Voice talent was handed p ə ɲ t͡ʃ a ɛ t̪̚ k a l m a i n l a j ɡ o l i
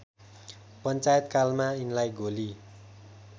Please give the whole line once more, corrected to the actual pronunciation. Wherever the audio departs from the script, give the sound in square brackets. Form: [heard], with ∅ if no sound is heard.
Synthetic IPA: p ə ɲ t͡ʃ a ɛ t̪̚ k a l m a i n l a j ɡ o l i